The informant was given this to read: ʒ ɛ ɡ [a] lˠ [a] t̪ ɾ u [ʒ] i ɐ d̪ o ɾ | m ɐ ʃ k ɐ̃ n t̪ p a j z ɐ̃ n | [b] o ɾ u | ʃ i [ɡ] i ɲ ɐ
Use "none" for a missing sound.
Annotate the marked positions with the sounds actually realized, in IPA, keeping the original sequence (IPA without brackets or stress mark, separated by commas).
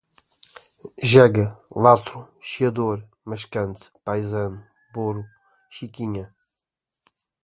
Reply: ɐ, a, ʃ, b, k